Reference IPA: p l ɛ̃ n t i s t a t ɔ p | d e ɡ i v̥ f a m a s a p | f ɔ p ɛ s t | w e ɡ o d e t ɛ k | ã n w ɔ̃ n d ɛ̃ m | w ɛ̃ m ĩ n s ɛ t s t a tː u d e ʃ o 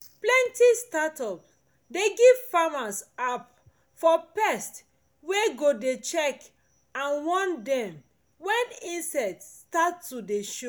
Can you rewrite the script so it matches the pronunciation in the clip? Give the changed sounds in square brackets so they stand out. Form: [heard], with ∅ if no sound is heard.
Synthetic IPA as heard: p l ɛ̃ n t i s t a t ɔ p | d e ɡ i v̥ f a m a s a p | f ɔ p ɛ s t | w e ɡ o d e [t͡ʃ] ɛ k | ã n w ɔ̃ n d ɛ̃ m | w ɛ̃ [n] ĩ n s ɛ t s t a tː u d e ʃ o